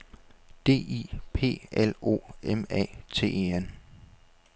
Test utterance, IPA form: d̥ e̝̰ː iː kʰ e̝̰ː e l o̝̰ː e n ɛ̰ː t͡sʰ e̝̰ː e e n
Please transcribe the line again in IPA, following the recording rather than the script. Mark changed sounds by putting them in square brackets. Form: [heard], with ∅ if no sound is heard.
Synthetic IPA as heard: d̥ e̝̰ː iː [pʰ] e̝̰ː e l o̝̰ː e [m] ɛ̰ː t͡sʰ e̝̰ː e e n